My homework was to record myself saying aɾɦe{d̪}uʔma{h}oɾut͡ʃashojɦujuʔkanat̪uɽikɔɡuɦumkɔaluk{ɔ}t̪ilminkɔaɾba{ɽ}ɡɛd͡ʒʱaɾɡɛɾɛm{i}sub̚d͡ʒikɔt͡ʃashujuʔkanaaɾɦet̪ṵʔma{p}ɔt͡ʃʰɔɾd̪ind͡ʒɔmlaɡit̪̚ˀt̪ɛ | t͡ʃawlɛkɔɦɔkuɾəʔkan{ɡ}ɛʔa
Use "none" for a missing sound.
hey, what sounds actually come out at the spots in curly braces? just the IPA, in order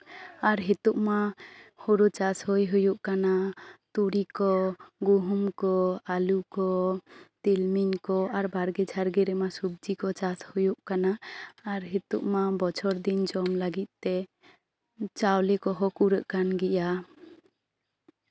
t̪, h, ɔ, ɾ, a, b, ɡ

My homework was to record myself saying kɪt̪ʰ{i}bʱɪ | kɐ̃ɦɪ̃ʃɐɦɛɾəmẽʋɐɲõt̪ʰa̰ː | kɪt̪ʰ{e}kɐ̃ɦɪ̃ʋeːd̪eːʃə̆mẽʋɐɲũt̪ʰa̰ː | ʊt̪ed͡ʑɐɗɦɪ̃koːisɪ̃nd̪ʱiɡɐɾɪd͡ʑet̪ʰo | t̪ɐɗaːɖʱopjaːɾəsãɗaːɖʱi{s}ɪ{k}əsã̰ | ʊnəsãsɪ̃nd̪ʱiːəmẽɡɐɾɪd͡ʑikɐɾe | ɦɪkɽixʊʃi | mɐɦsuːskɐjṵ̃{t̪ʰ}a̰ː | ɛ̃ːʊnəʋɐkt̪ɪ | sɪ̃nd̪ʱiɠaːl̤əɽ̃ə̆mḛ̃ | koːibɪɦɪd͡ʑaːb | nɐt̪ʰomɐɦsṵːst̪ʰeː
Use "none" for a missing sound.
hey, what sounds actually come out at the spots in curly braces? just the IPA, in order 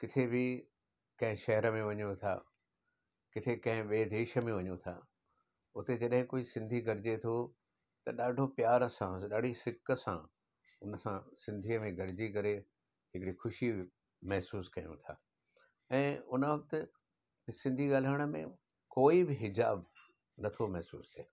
e, e, s, k, t̪ʰ

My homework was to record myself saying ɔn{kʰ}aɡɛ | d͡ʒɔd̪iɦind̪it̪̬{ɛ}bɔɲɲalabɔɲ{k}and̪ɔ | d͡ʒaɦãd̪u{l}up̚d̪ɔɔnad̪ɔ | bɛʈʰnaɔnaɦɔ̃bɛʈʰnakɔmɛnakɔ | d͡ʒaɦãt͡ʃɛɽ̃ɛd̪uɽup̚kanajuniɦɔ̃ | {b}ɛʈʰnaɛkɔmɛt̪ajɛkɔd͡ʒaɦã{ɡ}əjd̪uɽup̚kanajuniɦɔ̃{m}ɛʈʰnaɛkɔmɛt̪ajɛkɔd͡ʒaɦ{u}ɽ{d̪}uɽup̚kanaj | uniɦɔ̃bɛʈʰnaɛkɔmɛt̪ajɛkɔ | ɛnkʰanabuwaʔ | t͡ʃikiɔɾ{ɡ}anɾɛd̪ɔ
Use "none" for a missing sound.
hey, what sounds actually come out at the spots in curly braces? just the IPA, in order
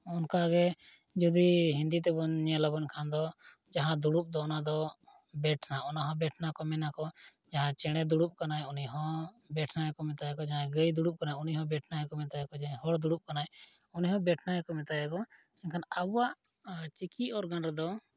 k, ɛ, kʰ, ɽ, b, ɡ, b, ɔ, d̪, ɡ

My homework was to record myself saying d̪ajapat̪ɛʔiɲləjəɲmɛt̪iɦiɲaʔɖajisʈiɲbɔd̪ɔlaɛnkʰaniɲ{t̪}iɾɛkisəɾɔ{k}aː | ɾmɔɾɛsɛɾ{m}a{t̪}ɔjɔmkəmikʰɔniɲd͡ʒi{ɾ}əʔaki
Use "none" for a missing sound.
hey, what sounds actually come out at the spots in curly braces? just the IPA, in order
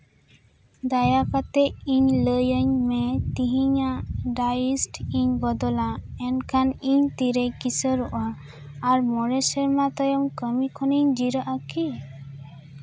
t̪, ʔ, m, t̪, ɾ

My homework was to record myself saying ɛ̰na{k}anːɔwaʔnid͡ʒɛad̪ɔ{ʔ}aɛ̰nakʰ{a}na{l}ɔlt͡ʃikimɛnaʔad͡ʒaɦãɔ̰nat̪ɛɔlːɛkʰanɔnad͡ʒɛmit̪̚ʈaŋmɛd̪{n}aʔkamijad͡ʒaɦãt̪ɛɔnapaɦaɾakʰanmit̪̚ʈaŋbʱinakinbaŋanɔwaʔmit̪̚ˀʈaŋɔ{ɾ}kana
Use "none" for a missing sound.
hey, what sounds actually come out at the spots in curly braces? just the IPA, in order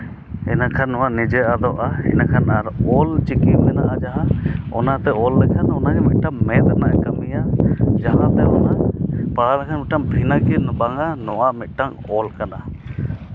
kʰ, ʔ, a, ɾ, n, l

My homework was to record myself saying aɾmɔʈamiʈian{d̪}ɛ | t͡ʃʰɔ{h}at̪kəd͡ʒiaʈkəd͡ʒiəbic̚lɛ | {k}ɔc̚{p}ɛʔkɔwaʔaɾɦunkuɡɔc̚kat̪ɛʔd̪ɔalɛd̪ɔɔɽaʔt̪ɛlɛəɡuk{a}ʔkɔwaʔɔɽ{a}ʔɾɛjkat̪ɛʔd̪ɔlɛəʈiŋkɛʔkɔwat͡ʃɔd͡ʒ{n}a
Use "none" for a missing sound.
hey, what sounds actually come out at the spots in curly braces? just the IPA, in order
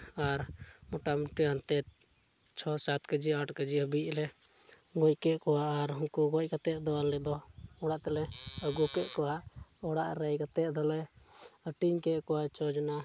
t̪, s, ɡ, k, ɛ, a, n

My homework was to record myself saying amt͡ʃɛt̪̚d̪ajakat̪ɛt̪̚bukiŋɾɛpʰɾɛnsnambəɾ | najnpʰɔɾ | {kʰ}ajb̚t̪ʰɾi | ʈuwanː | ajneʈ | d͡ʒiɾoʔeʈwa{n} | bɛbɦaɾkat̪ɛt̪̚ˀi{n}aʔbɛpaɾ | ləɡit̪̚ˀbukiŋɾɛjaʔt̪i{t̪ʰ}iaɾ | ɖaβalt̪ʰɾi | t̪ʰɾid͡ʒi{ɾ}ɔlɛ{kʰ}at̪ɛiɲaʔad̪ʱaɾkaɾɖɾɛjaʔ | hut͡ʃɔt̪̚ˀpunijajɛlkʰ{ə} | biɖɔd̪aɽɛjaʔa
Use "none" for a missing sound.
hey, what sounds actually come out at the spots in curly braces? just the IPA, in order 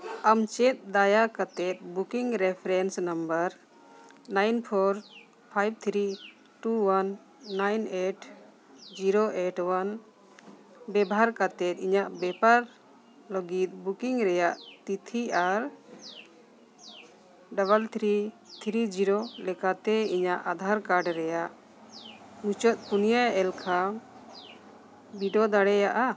pʰ, n, ɲ, t̪ʰ, ɾ, k, a

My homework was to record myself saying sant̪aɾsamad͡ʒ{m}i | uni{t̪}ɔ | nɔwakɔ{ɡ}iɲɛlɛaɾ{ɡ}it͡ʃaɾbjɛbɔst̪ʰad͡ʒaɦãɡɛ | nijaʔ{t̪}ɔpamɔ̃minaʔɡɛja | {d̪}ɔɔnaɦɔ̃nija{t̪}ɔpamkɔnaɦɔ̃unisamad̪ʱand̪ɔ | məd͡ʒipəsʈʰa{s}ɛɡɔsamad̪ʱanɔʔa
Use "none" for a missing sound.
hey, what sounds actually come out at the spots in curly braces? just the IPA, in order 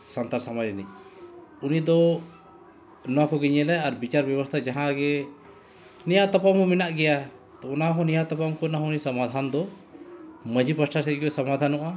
n, d̪, ɡ, b, t̪, t̪, t̪, s

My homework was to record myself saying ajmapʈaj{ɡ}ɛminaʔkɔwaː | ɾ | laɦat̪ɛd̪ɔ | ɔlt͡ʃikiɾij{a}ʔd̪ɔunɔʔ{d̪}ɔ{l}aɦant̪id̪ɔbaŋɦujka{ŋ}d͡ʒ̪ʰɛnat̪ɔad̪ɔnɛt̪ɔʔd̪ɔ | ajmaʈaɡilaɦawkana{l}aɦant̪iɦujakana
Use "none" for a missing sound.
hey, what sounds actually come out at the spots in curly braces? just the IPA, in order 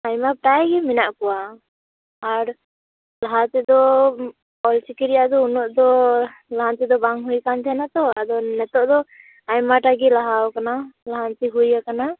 ɡ, a, d̪, l, n, l

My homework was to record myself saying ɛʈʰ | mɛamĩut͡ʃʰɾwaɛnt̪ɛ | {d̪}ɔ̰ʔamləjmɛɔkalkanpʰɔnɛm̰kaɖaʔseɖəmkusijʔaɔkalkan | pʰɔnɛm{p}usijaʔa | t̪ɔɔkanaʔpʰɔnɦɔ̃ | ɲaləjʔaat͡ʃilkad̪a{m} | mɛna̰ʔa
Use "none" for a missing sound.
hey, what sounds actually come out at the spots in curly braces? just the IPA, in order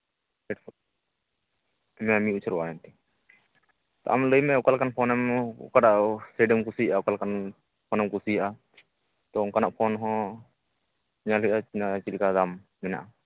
t̪, k, m

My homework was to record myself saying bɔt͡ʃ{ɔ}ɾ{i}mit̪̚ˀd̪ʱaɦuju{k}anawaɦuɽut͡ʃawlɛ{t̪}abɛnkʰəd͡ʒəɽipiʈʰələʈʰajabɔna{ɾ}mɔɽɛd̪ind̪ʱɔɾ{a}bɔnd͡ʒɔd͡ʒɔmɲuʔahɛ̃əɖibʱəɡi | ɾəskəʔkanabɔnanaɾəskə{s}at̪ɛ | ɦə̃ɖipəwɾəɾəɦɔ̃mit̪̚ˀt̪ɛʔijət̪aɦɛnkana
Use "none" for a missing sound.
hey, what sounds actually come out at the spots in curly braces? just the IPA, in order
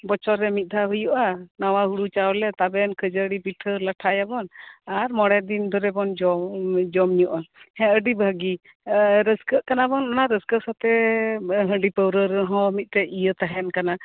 ɔ, ɛ, ʔ, t̪, ɾ, ɛ, s

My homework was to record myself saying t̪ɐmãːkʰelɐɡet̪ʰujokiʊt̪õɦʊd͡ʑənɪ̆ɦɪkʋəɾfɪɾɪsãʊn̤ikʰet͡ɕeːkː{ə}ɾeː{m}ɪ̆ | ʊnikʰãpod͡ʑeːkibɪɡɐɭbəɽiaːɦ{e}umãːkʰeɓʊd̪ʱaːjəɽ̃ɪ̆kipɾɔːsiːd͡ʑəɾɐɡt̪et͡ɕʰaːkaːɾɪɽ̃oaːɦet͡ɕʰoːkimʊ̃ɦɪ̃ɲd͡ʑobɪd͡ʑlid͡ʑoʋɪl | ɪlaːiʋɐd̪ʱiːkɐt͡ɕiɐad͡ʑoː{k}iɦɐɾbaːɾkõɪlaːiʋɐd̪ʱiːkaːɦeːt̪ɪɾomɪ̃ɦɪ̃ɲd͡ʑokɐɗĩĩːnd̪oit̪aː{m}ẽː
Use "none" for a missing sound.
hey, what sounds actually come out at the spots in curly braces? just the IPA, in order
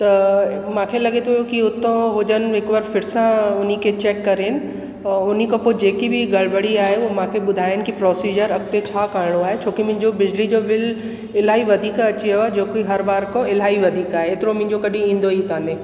ɐ, n, e, k, n

